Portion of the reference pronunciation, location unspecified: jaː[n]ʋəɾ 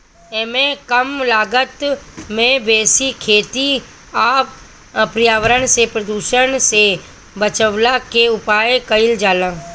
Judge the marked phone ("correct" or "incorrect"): incorrect